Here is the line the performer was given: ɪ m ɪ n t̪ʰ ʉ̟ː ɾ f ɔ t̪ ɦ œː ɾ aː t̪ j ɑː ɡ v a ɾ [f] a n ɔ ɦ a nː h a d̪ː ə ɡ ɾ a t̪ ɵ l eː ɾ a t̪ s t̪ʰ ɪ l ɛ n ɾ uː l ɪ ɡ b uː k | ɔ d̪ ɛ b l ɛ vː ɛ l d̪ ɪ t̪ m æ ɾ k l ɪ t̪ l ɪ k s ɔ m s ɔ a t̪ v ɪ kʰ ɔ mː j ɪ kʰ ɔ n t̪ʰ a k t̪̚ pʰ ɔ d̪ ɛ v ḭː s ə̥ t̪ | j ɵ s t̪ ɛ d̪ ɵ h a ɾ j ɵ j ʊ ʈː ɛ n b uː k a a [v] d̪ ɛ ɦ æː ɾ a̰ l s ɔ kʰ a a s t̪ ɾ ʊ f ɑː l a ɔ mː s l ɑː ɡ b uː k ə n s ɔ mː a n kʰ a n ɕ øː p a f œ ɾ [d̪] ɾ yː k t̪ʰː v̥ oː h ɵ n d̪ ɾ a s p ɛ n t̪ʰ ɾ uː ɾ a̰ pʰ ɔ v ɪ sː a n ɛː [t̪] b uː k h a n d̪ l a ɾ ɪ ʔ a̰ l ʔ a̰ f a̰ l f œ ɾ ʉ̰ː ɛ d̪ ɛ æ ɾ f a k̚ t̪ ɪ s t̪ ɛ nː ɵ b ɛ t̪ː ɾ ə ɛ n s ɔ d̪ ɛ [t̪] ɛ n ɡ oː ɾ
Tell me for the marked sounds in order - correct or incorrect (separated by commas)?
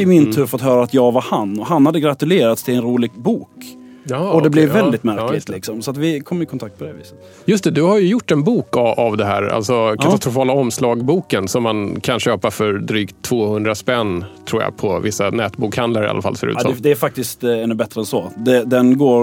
incorrect, correct, correct, correct, incorrect